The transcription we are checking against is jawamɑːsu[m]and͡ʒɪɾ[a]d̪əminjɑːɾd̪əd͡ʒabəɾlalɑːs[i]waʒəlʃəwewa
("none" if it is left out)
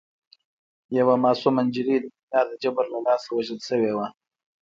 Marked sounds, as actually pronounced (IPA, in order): m, i, a

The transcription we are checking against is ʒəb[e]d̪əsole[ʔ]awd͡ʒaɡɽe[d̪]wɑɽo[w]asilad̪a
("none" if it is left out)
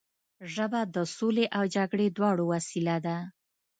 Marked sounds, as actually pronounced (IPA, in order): a, ʔ, d̪, w

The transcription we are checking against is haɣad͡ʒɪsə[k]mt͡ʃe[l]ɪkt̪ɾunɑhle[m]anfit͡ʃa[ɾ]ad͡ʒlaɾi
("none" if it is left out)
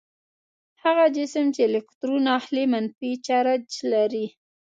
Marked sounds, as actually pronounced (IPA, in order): none, l, m, ɾ

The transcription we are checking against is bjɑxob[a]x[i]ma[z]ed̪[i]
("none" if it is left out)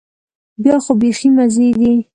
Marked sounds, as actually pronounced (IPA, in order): e, i, z, i

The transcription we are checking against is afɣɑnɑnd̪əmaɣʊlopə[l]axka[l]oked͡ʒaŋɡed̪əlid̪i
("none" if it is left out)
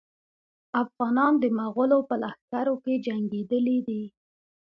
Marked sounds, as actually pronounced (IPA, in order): l, ɾ

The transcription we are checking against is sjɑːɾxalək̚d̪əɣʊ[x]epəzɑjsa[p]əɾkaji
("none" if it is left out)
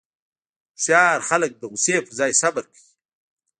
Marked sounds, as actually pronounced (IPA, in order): s, b

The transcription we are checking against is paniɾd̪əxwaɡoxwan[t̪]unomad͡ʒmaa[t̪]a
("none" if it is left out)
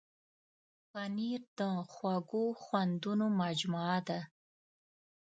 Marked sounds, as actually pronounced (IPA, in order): d̪, d̪

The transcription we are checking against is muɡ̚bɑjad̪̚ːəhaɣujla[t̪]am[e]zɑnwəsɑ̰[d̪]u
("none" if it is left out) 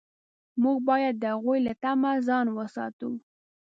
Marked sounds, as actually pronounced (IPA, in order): t̪, a, t̪

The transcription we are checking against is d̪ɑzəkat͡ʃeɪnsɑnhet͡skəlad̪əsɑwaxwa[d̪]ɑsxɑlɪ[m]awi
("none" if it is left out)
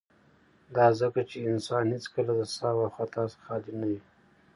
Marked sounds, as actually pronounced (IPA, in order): t̪, n

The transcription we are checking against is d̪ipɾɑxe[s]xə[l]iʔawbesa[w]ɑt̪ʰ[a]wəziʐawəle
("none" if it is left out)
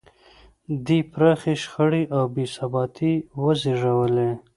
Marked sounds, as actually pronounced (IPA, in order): ʃ, ɽ, b, i

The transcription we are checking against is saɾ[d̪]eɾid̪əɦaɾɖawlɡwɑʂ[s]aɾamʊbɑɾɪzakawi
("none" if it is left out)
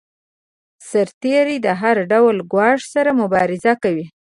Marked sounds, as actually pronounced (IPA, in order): t̪, s

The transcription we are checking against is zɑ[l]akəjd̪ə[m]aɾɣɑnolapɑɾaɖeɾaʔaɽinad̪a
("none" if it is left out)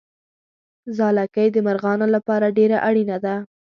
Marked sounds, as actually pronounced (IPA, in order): l, m

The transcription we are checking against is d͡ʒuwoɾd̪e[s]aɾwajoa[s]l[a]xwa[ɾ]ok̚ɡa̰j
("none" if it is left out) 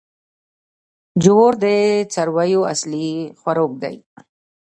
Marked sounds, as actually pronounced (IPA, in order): t͡s, s, i, ɾ

